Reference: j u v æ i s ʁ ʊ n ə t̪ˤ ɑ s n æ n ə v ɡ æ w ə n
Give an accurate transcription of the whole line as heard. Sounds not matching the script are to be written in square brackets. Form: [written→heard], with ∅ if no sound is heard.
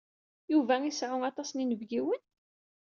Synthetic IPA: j u v æ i s [ʁ→ʕ] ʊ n [ə→ɑ] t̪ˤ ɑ s n [æ→i] n ə v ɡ [æ→i] w ə n

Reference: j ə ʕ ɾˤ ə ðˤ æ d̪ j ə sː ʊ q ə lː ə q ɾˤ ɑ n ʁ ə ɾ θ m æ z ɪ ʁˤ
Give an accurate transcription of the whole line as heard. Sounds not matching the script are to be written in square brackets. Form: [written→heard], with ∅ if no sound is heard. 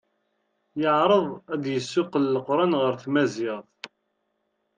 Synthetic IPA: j ə ʕ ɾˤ ə ðˤ æ d̪ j ə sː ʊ q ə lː ə q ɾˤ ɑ n ʁ ə ɾ θ m æ z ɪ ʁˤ

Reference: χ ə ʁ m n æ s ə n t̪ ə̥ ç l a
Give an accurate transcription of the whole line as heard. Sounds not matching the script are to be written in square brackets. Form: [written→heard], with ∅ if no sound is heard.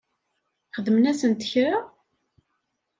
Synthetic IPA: χ ə [ʁ→ð] m n æ s ə n t̪ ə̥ ç [l→ɾ] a

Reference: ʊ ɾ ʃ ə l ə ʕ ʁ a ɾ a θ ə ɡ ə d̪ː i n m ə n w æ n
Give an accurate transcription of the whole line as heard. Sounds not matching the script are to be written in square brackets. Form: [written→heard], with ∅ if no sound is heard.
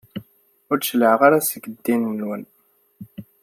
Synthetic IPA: ʊ ɾ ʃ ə l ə ʕ ʁ a ɾ a [θ→s] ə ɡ ə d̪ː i n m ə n w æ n

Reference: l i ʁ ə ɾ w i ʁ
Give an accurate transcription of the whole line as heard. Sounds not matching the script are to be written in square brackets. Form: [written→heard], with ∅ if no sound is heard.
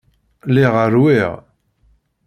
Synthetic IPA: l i ʁ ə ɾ w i ʁ

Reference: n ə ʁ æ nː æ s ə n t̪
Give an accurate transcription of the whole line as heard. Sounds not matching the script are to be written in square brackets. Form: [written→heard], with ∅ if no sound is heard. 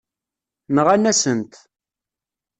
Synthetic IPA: n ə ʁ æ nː æ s ə n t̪

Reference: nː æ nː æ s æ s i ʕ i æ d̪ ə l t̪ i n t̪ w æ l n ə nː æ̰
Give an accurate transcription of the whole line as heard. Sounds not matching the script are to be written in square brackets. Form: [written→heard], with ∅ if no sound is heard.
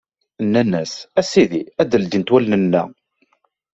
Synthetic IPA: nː æ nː æ s æ s i [ʕ→ð] i æ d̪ ə l [t̪→d̪] i n t̪ w æ l n ə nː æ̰

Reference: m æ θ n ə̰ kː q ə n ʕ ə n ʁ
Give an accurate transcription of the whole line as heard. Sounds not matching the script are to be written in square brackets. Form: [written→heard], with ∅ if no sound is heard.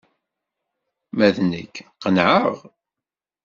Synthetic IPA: m æ [θ→ð] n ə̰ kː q ə n ʕ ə [n→∅] ʁ

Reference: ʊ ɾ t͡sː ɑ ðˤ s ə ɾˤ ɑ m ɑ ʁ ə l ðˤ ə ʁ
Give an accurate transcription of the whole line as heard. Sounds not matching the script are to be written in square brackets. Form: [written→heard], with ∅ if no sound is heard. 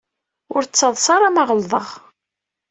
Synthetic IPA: ʊ ɾ t͡sː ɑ ðˤ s [ə→ɑ] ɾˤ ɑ m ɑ ʁ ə l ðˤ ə ʁ

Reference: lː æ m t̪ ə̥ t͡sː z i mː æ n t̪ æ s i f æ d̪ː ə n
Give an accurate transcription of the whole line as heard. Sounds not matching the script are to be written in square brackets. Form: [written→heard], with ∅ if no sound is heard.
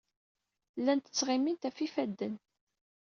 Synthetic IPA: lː æ [m→n] t̪ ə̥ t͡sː [z→ʁ] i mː [æ→i] n t̪ æ [s→f] i f æ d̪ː ə n

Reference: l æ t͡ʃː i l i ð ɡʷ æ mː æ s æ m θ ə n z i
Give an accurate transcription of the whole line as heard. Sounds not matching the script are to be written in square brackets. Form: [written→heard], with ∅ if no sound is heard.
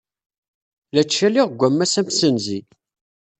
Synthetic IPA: l æ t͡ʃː [i→æ] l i [ð→ʁ] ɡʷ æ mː æ s æ m [θ→s] ə n z i

